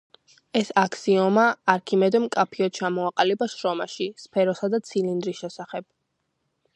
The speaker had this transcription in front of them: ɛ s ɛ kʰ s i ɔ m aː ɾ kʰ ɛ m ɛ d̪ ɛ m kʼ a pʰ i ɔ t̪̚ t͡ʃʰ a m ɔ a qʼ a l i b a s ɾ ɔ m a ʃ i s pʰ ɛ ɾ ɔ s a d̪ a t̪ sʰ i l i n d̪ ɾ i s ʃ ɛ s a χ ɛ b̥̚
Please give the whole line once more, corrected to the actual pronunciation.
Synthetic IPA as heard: ɛ s a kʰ s i ɔ m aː ɾ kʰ i m ɛ d̪ ɛ m kʼ a pʰ i ɔ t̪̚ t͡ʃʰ a m ɔ a qʼ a l i b a ʃ ɾ ɔ m a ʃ i s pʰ ɛ ɾ ɔ s a d̪ a t̪ sʰ i l i n d̪ ɾ i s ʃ ɛ s a χ ɛ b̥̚